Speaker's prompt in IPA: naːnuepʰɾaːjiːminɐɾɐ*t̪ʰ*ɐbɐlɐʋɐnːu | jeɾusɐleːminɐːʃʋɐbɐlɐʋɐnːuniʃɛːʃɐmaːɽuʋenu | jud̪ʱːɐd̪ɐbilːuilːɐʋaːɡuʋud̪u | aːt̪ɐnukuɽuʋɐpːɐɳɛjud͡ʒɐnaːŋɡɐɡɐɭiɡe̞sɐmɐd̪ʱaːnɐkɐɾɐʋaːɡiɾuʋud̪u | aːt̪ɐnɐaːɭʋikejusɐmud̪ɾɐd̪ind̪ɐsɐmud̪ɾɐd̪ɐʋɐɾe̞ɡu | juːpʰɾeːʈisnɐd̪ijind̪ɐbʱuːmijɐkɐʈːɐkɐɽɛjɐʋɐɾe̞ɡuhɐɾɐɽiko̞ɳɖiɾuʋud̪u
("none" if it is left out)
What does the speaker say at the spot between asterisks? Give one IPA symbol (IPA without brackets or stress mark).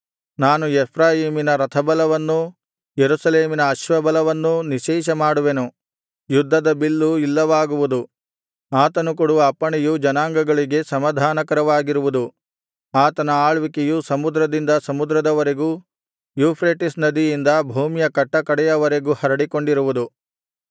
t̪ʰ